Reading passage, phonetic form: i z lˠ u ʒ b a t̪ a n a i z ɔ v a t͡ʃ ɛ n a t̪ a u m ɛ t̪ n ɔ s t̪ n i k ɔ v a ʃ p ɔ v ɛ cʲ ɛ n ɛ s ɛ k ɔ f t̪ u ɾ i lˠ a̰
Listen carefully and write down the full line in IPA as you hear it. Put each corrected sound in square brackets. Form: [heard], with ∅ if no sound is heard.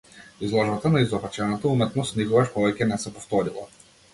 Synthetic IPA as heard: i z lˠ [ɔ] ʒ b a t̪ a n a i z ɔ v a t͡ʃ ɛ n a t̪ a u m ɛ t̪ n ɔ s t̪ n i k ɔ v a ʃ p ɔ v ɛ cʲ ɛ n ɛ s ɛ [p] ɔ f t̪ [ɔ] ɾ i lˠ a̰